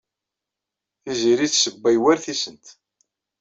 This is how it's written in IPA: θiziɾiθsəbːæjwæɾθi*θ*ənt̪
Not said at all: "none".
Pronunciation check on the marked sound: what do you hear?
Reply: s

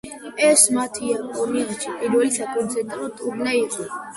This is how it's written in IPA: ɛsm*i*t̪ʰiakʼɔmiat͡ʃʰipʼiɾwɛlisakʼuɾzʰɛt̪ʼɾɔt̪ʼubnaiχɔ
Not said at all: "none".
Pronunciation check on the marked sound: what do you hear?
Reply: a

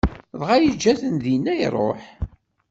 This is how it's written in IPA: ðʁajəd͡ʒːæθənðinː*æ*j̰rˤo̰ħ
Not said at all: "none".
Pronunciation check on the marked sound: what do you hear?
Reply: æ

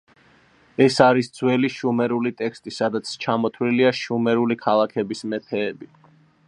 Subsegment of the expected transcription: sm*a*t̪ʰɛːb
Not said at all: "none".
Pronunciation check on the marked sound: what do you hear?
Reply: ɛ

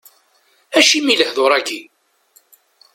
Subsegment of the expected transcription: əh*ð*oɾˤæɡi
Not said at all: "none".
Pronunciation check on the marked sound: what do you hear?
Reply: ð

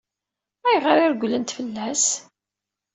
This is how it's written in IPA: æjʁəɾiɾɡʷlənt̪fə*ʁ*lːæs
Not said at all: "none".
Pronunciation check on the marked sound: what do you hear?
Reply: none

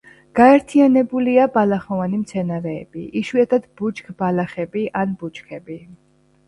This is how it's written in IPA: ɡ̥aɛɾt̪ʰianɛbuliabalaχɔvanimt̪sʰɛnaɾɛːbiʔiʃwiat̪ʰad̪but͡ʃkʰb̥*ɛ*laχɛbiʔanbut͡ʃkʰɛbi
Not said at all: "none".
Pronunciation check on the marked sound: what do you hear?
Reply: a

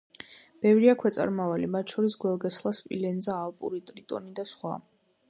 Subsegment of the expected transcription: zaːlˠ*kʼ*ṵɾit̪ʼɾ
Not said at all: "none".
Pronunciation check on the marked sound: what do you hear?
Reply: pʼ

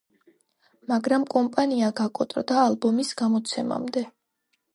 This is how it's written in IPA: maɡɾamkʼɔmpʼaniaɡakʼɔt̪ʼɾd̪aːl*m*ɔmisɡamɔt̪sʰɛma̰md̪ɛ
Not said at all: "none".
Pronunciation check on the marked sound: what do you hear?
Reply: b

